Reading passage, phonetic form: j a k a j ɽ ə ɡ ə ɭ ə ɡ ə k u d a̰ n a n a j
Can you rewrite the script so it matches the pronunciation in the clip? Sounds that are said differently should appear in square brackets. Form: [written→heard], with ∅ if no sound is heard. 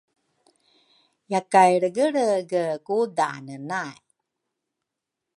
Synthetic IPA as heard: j a k a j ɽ ə ɡ ə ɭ ə ɡ ə k u d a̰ n [a→ə] n a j